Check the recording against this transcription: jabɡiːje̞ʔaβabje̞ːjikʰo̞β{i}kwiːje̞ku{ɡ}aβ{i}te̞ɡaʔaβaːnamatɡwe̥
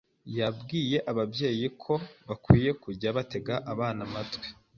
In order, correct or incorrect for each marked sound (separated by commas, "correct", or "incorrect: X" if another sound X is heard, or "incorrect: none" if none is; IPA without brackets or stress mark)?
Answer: incorrect: a, incorrect: ɟ, incorrect: a